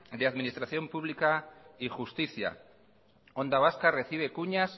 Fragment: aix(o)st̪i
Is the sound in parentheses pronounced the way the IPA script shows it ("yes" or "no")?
no